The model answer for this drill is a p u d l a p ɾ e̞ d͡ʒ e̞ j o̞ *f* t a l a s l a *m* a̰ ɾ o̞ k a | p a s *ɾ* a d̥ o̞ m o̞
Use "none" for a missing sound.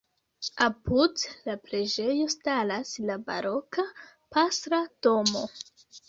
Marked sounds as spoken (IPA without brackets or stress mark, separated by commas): s, b, ɾ